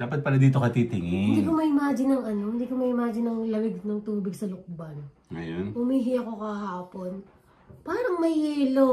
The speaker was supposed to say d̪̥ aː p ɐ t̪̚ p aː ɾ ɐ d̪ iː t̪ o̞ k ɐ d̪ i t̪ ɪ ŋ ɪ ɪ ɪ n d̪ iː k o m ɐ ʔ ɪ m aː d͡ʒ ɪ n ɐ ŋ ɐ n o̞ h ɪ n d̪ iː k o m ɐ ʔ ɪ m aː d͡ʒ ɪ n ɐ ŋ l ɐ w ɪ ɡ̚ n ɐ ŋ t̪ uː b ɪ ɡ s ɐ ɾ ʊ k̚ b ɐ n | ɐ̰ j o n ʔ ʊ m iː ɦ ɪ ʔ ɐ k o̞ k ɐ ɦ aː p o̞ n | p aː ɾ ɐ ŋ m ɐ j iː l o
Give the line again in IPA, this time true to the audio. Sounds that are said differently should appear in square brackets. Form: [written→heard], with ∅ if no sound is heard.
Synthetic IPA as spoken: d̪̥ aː p ɐ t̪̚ p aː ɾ ɐ d̪ iː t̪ o̞ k ɐ [d̪→t̪] i t̪ ɪ ŋ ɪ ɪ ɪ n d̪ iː k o m ɐ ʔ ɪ m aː d͡ʒ ɪ n ɐ ŋ ɐ n o̞ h ɪ n d̪ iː k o m ɐ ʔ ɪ m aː d͡ʒ ɪ n ɐ ŋ l ɐ w ɪ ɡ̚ n ɐ ŋ t̪ uː b ɪ ɡ s ɐ [ɾ→l] ʊ k̚ b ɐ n | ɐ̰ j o n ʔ ʊ m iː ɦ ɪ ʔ ɐ k o̞ k ɐ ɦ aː p o̞ n | p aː ɾ ɐ ŋ m ɐ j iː l o